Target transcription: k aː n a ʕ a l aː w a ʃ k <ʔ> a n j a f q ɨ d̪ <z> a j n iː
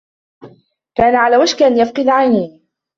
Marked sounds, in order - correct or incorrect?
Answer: correct, incorrect

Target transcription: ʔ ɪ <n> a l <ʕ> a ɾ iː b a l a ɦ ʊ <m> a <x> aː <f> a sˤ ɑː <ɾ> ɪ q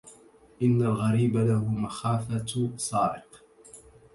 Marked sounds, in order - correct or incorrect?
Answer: incorrect, incorrect, correct, correct, correct, correct

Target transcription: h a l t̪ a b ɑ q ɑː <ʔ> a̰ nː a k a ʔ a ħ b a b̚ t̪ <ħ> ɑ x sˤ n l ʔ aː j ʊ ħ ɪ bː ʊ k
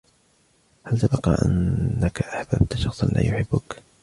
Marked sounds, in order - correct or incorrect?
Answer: correct, incorrect

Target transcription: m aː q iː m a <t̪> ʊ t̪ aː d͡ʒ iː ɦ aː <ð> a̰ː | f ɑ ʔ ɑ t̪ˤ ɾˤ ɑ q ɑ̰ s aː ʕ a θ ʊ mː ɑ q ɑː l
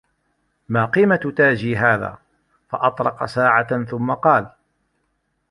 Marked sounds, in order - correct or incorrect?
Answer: correct, correct

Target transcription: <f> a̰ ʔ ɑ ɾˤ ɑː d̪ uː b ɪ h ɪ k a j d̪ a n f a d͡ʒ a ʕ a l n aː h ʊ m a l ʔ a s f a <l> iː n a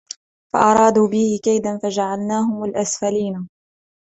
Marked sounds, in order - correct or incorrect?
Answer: correct, correct

